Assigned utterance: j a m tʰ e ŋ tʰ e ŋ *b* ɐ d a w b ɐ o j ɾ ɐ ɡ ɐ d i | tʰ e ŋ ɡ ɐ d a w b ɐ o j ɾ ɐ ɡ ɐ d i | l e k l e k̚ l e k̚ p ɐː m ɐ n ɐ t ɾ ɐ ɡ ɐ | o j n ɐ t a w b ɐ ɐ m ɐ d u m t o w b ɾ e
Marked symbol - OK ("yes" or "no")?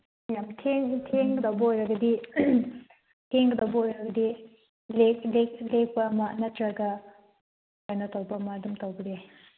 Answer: no